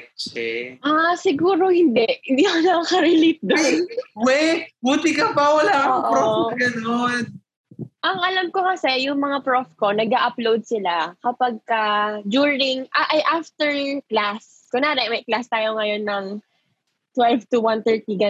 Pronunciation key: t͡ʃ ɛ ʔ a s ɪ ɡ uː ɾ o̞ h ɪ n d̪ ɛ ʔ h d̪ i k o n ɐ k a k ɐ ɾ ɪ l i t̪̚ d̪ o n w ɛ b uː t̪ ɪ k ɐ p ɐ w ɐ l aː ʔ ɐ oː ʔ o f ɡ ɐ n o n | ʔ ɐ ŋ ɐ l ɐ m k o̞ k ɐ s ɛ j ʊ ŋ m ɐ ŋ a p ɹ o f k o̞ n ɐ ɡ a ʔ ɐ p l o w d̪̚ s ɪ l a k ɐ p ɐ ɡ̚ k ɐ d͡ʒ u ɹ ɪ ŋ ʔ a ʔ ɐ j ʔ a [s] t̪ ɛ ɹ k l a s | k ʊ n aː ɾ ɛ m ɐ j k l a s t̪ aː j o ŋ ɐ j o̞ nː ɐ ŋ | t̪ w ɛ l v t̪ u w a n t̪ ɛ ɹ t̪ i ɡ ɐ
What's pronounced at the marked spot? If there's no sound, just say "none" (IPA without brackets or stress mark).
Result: f